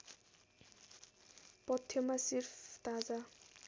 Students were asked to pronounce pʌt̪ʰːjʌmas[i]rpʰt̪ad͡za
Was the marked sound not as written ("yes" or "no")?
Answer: no